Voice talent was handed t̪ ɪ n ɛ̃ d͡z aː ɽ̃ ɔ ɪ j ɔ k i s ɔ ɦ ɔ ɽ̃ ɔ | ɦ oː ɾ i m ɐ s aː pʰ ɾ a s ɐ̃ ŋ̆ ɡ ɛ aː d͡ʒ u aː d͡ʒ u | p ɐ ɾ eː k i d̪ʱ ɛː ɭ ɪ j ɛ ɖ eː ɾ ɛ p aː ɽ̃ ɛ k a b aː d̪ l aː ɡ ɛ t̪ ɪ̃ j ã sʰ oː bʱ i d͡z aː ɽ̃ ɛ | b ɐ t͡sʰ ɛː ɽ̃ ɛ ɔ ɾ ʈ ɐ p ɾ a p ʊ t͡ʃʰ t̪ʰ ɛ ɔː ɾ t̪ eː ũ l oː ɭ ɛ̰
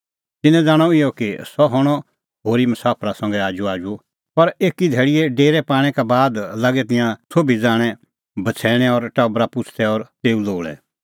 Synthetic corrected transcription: t̪ ɪ n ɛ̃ d͡z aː ɽ̃ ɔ ɪ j ɔ k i s ɔ ɦ ɔ ɽ̃ ɔ | ɦ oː ɾ i m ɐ s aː pʰ ɾ a s ɐ̃ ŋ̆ ɡ ɛ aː d͡ʒ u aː d͡ʒ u | p ɐ ɾ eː k i d̪ʱ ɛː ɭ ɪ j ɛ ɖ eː ɾ ɛ p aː ɽ̃ ɛ k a b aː d̪ l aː ɡ ɛ t̪ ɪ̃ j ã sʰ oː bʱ i d͡z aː ɽ̃ ɛ | b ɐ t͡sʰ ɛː ɽ̃ ɛ ɔ ɾ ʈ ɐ b ɾ a p ʊ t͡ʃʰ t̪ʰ ɛ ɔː ɾ t̪ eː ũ l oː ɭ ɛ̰

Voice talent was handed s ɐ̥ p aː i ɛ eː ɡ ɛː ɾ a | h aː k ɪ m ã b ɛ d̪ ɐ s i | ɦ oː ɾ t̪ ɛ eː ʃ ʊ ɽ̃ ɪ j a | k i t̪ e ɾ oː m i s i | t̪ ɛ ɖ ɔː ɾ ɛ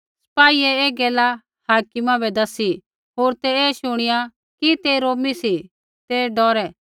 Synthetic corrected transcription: s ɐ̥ p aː i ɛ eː ɡ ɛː l a | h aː k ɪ m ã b ɛ d̪ ɐ s i | ɦ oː ɾ t̪ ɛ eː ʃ ʊ ɽ̃ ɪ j a | k i t̪ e ɾ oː m i s i | t̪ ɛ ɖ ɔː ɾ ɛ

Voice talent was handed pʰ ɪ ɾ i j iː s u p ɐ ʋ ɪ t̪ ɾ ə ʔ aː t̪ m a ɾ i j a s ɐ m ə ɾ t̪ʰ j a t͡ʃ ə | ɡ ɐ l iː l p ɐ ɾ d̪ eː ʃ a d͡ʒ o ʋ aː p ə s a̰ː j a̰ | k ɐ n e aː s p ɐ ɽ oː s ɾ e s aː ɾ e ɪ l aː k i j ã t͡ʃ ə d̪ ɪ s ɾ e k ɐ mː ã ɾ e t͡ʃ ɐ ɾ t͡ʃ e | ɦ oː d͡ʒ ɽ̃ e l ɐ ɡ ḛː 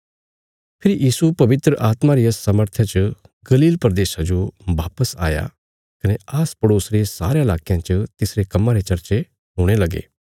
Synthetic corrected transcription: pʰ ɪ ɾ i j iː s u p ɐ ʋ ɪ t̪ ɾ ə ʔ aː t̪ m a ɾ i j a s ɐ m ə ɾ t̪ʰ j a t͡ʃ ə | ɡ ɐ l iː l p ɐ ɾ d̪ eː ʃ a d͡ʒ o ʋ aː p ə s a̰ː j a̰ | k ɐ n e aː s p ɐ ɽ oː s ɾ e s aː ɾ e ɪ l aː k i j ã t͡ʃ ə t̪ ɪ s ɾ e k ɐ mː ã ɾ e t͡ʃ ɐ ɾ t͡ʃ e | ɦ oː ɽ̃ e l ɐ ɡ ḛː

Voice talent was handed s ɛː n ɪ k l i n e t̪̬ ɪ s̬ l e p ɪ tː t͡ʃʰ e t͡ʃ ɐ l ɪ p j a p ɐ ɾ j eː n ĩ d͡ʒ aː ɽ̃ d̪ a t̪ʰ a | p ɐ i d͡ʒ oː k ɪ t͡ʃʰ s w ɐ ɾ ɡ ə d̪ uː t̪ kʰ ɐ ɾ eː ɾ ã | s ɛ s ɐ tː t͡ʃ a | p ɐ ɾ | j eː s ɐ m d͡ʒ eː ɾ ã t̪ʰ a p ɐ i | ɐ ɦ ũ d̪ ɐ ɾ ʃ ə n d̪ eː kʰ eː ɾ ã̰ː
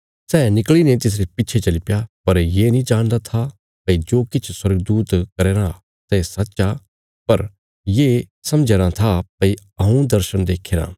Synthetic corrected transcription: s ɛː n ɪ k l i n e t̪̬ ɪ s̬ ɾ e p ɪ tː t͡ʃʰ e t͡ʃ ɐ l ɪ p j a p ɐ ɾ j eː n ĩ d͡ʒ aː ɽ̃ d̪ a t̪ʰ a | p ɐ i d͡ʒ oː k ɪ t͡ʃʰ s w ɐ ɾ ɡ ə d̪ uː t̪ k ɐ ɾ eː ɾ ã | s ɛ s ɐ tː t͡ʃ a | p ɐ ɾ | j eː s ɐ m d͡ʒ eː ɾ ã t̪ʰ a p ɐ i | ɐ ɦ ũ d̪ ɐ ɾ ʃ ə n d̪ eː kʰ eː ɾ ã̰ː

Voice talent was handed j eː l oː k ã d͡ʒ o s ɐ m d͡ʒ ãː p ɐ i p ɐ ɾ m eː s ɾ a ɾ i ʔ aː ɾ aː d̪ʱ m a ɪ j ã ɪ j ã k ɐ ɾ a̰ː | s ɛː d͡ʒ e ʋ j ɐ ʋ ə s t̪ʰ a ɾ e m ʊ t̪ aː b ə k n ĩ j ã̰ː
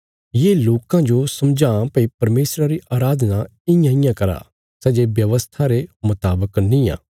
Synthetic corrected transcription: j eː l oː k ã d͡ʒ o s ɐ m d͡ʒ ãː p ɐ i p ɐ ɾ m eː s ɾ a ɾ i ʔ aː ɾ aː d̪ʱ n a ɪ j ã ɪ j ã k ɐ ɾ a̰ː | s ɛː d͡ʒ e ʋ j ɐ ʋ ə s t̪ʰ a ɾ e m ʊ t̪ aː b ə k n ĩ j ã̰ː

